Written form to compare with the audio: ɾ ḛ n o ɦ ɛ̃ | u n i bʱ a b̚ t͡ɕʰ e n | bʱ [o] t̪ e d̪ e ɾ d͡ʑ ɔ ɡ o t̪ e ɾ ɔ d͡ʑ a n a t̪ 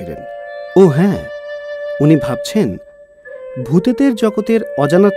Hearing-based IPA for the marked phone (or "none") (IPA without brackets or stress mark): u